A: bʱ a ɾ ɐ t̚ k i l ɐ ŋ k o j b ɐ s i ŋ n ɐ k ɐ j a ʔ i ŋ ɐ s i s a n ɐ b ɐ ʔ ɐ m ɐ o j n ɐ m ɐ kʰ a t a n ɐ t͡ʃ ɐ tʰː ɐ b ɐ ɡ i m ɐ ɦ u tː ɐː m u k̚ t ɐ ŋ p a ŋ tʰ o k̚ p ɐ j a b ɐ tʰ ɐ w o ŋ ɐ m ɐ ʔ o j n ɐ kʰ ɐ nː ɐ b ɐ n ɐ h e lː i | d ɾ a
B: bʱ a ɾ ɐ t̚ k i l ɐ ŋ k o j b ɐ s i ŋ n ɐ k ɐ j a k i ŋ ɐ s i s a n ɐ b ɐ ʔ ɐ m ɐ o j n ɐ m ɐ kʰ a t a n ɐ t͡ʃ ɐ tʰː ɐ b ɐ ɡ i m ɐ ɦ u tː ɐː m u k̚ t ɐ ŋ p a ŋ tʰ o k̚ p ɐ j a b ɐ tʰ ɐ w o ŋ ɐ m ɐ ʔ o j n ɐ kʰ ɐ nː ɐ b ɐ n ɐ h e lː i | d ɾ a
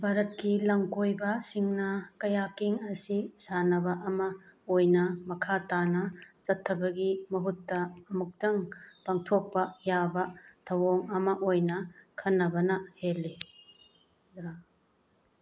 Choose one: B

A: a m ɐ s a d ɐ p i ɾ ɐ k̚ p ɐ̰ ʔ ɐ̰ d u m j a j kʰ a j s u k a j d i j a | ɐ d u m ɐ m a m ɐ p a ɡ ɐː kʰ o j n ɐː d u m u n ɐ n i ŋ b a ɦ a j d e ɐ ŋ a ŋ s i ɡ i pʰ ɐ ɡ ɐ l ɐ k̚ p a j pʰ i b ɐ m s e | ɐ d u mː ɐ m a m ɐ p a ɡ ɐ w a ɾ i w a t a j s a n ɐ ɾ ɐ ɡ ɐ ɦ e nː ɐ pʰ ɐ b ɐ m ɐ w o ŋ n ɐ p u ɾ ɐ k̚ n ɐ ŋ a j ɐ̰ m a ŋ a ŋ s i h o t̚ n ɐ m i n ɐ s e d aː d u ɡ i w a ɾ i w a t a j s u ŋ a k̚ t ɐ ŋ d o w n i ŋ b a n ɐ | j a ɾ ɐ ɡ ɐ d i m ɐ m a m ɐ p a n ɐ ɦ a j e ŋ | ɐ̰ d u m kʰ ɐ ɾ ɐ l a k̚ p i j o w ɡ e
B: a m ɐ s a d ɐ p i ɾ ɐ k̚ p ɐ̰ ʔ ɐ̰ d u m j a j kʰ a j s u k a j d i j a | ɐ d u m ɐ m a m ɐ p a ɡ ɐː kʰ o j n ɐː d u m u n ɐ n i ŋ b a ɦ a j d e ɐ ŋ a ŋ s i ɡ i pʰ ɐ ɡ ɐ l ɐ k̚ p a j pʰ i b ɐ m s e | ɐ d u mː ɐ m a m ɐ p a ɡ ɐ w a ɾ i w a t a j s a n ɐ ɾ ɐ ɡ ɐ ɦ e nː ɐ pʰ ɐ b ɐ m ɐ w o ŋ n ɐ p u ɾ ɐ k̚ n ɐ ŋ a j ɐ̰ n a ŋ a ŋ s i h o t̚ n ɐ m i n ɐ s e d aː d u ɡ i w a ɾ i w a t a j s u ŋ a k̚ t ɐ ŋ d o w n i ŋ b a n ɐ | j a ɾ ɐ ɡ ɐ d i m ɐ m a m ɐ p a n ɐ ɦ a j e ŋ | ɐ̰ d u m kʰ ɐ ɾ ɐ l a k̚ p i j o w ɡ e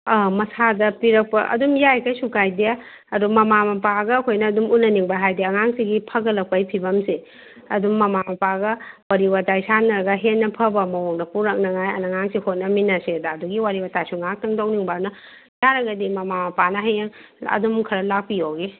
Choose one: B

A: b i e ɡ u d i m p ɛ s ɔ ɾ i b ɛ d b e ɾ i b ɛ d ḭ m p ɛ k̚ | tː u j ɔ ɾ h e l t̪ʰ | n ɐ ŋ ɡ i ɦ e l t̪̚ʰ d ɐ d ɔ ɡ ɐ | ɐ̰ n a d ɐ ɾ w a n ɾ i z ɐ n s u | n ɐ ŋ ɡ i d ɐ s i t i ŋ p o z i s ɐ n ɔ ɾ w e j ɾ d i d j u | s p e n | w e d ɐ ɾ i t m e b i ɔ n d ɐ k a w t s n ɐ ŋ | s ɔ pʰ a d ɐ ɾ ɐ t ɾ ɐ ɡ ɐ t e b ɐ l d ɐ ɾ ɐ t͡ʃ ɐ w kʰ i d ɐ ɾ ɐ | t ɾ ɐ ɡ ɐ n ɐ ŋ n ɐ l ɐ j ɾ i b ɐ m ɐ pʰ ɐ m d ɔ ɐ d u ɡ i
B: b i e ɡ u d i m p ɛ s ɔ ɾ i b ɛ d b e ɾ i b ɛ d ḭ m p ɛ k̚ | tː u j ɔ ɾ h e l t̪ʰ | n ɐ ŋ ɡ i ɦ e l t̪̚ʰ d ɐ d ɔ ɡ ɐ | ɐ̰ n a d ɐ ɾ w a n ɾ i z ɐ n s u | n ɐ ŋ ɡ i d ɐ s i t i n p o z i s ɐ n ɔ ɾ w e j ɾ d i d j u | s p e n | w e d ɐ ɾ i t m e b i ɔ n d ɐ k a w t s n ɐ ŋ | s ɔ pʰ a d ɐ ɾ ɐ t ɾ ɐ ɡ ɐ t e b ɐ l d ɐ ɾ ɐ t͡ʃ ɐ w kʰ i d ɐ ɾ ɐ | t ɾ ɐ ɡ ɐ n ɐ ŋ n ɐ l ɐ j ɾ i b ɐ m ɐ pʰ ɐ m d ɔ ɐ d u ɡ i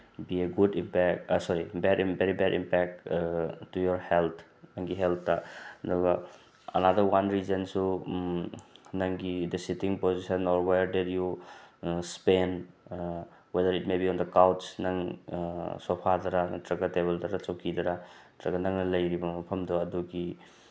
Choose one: A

